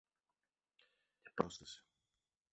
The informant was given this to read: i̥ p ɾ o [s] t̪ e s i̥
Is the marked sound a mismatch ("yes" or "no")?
no